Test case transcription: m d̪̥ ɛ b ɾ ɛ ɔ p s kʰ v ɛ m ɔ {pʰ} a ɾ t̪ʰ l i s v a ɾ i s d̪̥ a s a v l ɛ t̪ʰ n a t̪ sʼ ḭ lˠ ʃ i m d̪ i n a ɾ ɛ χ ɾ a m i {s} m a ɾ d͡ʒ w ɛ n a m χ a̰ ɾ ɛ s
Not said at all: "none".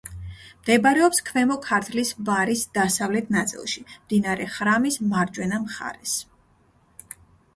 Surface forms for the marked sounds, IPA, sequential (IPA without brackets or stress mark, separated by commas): kʰ, s